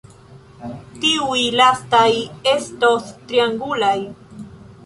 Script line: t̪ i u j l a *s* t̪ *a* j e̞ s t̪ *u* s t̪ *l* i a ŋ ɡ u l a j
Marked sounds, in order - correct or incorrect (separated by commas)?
correct, correct, incorrect, incorrect